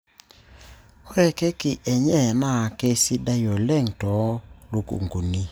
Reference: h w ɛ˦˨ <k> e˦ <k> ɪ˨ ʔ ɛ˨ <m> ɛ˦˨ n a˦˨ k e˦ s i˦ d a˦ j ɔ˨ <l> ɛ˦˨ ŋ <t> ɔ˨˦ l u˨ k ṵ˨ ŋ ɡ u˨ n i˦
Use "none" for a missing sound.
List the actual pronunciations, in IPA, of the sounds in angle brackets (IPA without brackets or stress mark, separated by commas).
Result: k, k, ɲ, l, t